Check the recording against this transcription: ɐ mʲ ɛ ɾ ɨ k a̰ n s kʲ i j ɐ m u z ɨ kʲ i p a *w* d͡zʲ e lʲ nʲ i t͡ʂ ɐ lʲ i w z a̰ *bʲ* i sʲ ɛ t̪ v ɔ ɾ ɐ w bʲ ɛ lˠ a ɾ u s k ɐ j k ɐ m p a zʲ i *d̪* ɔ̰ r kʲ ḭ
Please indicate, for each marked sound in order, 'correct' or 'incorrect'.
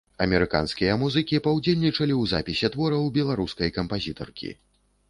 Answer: correct, incorrect: pʲ, incorrect: t̪

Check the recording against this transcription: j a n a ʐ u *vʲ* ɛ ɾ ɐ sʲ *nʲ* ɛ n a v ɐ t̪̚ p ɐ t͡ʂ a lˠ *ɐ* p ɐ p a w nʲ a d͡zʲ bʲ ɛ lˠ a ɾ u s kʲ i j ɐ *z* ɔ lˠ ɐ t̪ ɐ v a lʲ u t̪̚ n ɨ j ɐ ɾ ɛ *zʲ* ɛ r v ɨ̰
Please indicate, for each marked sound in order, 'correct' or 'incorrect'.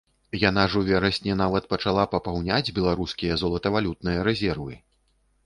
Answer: correct, correct, incorrect: a, correct, correct

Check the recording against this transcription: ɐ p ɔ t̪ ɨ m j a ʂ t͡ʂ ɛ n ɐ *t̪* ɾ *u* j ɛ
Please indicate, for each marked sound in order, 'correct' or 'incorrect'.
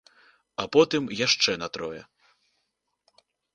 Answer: correct, incorrect: ɔ

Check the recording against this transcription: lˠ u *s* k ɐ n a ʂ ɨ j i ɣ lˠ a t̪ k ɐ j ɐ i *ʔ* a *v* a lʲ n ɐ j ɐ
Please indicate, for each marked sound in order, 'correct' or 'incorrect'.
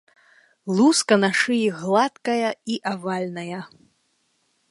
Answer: correct, correct, correct

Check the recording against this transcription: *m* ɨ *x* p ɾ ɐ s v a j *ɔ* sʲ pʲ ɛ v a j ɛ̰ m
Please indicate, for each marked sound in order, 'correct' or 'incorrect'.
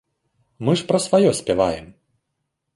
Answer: correct, incorrect: ʂ, correct

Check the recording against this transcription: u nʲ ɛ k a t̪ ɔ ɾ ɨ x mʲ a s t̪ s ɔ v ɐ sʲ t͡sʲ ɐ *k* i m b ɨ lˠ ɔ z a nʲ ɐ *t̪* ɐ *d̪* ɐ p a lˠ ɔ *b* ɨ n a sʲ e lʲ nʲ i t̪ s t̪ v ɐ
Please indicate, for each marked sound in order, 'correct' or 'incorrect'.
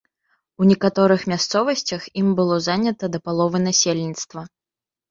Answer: incorrect: x, correct, correct, incorrect: v

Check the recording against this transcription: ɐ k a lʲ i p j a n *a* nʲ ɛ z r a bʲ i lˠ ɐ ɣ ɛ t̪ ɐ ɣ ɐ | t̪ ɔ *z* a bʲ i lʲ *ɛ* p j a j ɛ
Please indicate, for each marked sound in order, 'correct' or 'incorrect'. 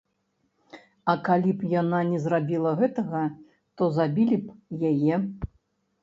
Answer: correct, correct, incorrect: i

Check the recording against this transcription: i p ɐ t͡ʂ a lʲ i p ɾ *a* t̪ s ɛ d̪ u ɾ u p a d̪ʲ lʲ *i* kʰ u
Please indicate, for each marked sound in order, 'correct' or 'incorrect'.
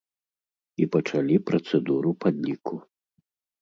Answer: incorrect: ɐ, correct

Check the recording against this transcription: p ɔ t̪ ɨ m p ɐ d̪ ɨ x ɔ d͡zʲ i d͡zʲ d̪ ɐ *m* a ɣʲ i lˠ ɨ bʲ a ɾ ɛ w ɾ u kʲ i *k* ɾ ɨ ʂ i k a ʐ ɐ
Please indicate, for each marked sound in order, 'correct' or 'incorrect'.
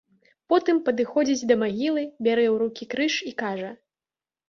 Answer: correct, correct

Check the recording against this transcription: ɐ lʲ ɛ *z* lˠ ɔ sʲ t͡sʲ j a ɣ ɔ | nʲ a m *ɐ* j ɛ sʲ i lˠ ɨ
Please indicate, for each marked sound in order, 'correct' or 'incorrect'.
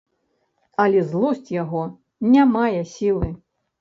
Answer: correct, incorrect: a

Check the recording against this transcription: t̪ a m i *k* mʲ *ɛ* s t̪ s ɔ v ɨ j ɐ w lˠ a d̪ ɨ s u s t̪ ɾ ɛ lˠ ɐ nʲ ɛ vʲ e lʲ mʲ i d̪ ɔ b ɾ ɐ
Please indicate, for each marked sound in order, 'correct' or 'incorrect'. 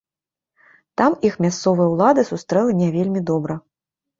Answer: incorrect: x, incorrect: a

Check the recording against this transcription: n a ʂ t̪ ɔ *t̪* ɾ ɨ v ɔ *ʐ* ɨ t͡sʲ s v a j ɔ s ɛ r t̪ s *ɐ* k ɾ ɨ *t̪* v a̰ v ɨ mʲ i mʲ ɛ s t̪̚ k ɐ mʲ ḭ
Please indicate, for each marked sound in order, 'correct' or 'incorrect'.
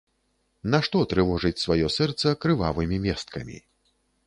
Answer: correct, correct, correct, incorrect: none

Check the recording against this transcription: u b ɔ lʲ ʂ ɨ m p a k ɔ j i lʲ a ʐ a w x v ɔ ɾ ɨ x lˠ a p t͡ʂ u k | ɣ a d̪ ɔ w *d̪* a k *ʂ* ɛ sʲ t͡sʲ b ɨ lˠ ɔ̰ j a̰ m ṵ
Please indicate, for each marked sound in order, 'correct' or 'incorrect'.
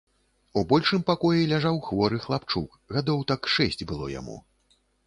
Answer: incorrect: t̪, correct

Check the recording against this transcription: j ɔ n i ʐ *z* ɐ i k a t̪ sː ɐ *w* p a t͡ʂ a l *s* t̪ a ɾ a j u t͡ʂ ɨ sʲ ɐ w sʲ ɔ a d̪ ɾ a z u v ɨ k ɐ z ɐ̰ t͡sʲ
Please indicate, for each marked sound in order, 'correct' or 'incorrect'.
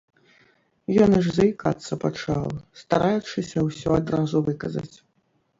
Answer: correct, incorrect: none, correct

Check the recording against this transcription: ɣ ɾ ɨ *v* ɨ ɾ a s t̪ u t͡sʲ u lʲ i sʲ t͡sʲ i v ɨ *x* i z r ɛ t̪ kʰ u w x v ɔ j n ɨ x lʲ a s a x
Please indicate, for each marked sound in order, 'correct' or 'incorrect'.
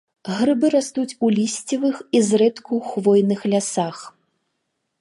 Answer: incorrect: b, correct

